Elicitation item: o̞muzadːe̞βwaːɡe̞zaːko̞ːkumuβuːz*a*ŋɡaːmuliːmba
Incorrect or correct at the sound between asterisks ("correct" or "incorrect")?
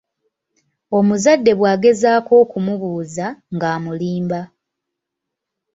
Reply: correct